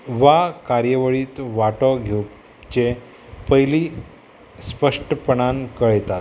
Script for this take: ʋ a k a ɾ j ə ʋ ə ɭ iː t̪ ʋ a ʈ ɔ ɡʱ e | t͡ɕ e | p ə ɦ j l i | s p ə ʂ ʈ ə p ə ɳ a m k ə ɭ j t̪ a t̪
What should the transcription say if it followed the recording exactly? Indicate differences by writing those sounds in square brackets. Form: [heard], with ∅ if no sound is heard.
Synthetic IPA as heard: ʋ a k a ɾ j ə ʋ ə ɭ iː t̪ ʋ a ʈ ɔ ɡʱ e | t͡ɕ e | p ə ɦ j l i | s p ə ʂ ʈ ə p ə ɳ a [n] k ə ɭ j t̪ a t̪